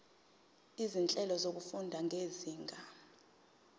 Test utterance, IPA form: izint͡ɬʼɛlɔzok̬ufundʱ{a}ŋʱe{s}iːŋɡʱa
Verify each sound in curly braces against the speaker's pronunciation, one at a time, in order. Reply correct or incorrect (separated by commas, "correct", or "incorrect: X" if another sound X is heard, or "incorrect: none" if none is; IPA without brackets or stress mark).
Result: correct, incorrect: z